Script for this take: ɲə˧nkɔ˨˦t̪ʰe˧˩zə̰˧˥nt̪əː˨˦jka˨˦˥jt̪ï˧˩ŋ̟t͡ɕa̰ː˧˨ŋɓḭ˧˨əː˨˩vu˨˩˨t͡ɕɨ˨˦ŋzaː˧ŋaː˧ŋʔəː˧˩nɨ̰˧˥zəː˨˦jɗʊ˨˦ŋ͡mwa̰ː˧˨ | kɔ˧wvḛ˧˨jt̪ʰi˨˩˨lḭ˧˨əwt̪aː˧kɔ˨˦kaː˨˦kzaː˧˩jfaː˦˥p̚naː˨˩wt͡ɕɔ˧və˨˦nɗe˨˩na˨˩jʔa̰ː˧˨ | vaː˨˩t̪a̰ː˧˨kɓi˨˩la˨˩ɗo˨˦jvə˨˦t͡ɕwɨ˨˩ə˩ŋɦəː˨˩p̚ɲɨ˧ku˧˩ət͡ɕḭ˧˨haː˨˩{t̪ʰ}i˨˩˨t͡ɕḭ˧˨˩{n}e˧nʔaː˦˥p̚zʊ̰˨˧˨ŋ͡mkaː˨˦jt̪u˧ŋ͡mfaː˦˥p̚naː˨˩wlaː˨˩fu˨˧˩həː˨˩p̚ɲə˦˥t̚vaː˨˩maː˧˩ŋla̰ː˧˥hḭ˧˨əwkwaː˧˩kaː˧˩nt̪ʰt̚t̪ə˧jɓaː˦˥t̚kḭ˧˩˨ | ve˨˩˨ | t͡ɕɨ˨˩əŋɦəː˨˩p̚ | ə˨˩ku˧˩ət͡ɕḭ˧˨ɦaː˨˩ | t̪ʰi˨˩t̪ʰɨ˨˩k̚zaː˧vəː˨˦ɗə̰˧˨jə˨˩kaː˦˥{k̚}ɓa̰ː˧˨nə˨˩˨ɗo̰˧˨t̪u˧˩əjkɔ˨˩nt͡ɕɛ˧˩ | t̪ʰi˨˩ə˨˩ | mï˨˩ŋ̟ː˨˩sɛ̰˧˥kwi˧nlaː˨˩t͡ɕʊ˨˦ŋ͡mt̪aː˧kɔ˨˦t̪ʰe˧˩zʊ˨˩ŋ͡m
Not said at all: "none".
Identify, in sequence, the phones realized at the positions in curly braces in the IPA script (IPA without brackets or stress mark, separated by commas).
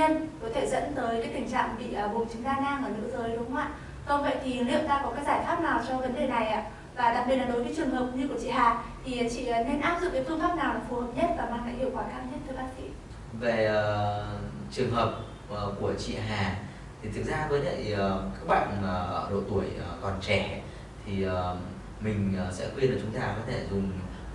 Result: t̪ʰ, n, k̚